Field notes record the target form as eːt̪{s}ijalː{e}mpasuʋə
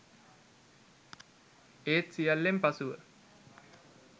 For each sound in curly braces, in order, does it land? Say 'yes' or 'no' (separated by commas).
yes, yes